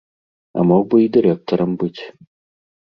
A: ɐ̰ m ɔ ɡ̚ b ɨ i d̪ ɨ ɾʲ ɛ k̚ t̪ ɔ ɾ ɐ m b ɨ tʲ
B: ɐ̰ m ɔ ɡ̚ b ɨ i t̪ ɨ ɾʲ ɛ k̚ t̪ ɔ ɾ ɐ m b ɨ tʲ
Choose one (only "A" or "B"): A